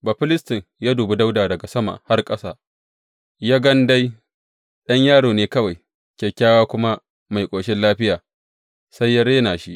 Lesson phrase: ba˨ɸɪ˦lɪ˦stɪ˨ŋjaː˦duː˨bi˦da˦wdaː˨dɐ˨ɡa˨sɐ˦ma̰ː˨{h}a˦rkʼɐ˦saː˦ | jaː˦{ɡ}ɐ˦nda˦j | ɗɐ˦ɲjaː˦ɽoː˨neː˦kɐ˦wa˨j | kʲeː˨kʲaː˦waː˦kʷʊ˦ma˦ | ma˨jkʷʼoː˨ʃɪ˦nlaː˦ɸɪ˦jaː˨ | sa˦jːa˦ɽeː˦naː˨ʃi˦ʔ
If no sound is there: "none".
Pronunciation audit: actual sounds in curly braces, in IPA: h, ɡ

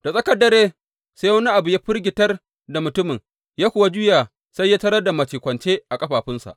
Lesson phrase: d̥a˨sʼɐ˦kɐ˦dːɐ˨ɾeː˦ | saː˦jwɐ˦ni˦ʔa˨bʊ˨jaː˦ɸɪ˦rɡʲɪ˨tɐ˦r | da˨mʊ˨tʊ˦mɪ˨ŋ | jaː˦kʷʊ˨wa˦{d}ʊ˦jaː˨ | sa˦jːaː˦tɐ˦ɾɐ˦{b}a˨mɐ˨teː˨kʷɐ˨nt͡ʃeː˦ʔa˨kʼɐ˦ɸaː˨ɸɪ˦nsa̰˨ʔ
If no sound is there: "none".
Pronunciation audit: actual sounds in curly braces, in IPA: d͡ʒ, d

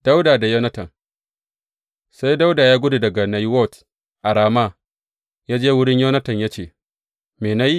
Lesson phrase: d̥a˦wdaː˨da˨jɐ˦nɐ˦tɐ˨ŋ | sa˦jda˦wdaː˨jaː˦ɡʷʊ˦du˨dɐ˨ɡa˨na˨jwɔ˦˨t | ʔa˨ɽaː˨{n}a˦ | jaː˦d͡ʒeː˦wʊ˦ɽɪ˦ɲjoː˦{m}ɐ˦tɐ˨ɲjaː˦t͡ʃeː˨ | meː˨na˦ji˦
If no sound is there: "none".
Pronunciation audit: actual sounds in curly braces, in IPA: m, n

